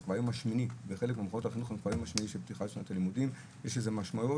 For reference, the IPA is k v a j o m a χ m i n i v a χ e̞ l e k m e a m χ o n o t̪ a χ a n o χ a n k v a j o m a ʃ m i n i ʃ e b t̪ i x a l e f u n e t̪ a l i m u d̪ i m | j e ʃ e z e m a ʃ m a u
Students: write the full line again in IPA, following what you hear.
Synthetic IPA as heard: k v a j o m a ʃ m i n i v e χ e̞ l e k m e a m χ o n o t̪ a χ i n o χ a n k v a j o m a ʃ m i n i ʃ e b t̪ i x a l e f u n a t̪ a l i m u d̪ i m | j e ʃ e z e m a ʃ m a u